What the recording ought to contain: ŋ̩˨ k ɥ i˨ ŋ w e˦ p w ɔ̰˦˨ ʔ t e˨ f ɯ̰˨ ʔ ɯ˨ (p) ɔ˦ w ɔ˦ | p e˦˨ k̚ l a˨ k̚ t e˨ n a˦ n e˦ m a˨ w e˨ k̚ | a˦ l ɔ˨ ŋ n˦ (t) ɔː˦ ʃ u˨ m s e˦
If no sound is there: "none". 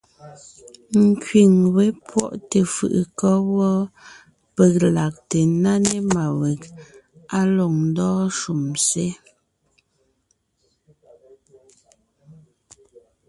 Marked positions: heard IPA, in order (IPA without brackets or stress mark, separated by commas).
k, d